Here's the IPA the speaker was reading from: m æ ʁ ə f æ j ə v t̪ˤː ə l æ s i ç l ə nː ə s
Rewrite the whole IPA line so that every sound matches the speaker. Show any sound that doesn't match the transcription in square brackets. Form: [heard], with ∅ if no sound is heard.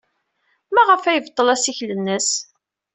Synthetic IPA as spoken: m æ ʁ ə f æ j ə v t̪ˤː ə l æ s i ç l ə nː ə s